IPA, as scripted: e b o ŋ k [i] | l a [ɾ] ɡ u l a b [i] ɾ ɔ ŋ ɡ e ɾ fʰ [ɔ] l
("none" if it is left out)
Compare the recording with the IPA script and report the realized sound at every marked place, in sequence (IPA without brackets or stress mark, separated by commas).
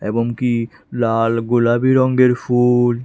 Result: i, l, i, u